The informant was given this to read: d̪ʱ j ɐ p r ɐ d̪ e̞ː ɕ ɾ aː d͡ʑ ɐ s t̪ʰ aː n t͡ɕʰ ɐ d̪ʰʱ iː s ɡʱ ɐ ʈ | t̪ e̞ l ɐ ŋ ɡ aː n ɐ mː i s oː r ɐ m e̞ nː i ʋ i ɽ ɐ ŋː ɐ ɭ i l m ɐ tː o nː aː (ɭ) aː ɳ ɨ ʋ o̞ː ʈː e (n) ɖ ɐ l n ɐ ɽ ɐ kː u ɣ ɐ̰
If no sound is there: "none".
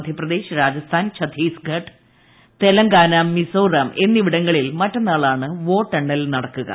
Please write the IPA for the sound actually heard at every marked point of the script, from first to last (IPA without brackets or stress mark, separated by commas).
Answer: ɭ, ɳ